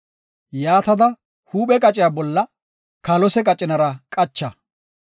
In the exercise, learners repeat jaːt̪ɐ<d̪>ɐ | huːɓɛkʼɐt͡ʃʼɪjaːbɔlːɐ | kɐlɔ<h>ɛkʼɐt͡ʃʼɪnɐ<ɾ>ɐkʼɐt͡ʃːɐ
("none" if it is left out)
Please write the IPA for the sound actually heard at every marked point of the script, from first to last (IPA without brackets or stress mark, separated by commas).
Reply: d̪, s, ɾ